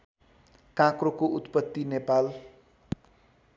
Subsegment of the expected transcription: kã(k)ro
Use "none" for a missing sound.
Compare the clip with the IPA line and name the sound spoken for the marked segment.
k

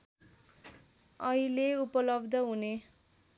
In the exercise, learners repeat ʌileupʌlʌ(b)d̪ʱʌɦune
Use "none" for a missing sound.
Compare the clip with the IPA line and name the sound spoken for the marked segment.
b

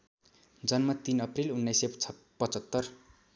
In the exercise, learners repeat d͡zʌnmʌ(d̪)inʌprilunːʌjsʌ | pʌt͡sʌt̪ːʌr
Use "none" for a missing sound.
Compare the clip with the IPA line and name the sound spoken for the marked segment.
t̪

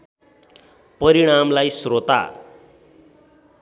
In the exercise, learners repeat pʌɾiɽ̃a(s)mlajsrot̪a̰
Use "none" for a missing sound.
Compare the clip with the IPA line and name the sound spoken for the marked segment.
none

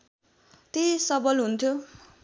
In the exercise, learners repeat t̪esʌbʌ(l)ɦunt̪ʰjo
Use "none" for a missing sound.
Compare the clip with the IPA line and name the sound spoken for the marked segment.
l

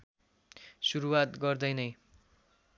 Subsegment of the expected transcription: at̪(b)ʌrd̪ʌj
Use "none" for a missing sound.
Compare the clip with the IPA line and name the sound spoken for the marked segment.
ɡ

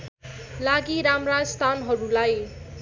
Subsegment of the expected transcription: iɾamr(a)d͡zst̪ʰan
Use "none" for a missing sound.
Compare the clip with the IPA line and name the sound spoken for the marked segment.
a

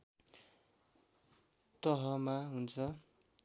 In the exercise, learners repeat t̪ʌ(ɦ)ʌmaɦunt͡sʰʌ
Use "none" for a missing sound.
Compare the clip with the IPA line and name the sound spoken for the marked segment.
ɦ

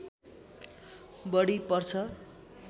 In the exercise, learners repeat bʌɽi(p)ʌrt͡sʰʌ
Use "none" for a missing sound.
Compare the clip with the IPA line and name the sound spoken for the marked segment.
p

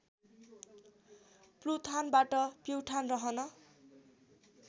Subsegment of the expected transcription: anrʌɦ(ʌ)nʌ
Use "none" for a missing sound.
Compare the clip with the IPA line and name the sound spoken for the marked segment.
ʌ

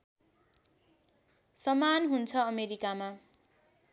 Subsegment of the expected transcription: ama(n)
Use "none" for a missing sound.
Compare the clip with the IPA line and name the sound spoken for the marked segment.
none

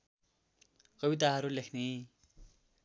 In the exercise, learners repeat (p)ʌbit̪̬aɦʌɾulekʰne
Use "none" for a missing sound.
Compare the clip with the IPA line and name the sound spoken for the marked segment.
k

